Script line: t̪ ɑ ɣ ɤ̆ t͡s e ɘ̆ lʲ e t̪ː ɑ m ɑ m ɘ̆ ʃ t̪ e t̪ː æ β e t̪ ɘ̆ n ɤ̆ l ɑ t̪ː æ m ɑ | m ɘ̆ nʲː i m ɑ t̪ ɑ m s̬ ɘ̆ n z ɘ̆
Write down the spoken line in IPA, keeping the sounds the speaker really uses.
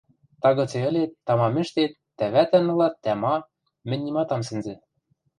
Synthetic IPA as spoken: t̪ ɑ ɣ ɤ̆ t͡s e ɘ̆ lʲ e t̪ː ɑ m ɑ m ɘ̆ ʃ t̪ e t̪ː æ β æ t̪ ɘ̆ n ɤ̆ l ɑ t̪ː æ m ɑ | m ɘ̆ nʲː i m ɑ t̪ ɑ m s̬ ɘ̆ n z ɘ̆